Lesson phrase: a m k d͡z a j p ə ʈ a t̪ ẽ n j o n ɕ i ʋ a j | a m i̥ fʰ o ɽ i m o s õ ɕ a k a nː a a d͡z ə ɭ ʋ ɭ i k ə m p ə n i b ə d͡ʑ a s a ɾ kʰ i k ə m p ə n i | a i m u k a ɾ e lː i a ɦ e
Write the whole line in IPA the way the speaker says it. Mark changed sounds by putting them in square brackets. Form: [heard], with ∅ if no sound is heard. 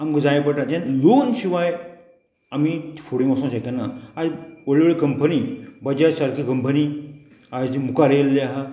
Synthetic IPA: a m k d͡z a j p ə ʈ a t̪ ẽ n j o n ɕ i ʋ a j | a m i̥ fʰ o ɽ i m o s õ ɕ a k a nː a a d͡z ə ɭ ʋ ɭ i k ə m p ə n i b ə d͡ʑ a s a ɾ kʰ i k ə m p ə n i | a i m u k a ɾ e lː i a ɦ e